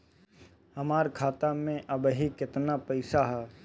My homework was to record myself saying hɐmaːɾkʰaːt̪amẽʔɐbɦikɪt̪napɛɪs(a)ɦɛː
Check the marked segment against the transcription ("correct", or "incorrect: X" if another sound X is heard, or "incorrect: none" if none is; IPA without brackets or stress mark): correct